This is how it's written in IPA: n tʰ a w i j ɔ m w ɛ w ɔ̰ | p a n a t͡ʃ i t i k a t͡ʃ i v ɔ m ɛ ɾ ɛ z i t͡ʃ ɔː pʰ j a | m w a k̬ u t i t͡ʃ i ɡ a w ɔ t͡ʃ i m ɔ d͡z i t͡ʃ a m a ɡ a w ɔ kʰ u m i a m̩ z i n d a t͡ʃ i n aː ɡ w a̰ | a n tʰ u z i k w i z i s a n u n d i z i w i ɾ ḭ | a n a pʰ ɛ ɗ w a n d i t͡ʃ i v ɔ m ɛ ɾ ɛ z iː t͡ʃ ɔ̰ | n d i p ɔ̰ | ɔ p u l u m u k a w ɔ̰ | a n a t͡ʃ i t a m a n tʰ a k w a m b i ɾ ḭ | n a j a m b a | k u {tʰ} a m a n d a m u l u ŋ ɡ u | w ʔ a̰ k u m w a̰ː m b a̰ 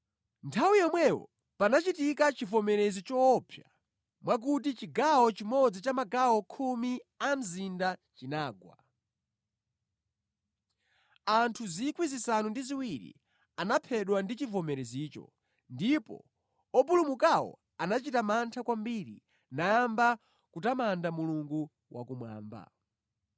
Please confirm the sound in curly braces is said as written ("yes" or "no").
no